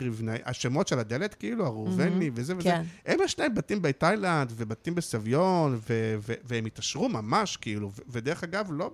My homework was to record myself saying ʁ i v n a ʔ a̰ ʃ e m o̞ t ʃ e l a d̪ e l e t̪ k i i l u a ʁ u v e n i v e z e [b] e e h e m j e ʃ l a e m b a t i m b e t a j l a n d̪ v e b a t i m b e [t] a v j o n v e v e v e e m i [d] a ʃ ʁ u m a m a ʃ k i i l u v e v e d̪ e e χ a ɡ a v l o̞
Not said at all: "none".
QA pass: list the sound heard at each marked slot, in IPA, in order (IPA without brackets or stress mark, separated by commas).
v, s, t